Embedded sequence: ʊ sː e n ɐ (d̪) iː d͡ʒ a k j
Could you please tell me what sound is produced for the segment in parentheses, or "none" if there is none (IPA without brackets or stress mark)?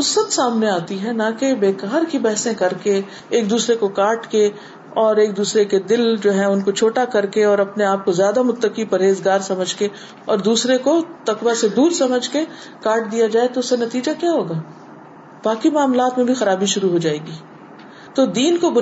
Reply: t̪